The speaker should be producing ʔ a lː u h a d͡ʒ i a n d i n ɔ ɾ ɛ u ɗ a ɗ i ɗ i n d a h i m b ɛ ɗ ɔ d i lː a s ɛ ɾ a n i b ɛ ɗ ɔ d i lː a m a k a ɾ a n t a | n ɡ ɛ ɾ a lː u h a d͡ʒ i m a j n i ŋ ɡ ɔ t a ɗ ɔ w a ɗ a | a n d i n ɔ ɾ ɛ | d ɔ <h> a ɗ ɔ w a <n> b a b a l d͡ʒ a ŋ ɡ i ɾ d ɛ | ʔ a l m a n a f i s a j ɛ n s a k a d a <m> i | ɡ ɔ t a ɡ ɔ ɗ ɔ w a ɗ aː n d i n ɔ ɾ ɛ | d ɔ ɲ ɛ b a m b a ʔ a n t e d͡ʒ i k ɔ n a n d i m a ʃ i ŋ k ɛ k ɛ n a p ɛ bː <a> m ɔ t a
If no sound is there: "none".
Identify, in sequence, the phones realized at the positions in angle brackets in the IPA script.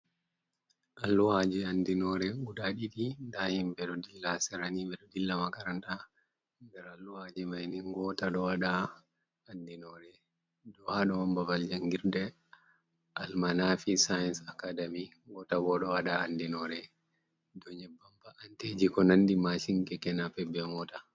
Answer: h, m, m, ɛ

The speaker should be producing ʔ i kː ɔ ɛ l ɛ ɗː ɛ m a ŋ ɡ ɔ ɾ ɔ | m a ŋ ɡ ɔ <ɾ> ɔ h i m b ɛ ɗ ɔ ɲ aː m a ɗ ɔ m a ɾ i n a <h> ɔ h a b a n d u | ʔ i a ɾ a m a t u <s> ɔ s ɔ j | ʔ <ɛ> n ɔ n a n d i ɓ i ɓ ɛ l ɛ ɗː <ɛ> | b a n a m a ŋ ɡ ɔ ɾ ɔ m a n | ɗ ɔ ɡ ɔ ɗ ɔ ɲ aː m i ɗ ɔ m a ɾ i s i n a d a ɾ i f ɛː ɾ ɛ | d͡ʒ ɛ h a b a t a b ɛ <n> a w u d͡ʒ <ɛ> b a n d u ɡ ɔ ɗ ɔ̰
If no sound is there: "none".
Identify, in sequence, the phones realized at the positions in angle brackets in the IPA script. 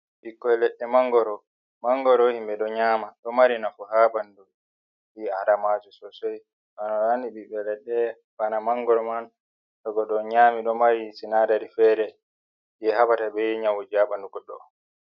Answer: ɾ, f, s, a, ɛ, ɲ, a

